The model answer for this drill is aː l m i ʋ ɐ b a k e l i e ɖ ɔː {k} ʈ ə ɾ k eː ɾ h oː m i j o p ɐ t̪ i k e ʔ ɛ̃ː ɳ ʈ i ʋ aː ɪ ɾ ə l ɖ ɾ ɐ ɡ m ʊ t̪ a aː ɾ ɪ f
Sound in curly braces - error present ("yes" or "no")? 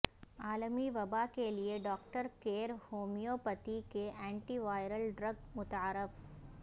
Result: no